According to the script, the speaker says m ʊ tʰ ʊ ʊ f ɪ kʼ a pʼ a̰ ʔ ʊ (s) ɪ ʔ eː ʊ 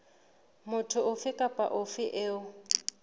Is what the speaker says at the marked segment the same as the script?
no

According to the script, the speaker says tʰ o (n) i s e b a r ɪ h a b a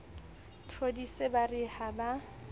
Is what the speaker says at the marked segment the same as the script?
no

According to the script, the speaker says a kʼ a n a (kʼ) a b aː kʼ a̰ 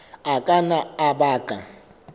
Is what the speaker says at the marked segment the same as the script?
no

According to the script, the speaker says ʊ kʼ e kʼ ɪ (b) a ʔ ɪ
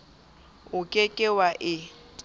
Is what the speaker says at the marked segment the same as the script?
no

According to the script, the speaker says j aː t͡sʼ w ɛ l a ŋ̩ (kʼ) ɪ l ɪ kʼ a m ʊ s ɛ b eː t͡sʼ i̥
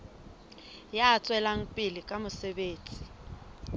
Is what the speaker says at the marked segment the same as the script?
no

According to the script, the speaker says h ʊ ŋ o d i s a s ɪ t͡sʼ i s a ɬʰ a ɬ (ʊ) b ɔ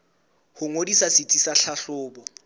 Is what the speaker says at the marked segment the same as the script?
no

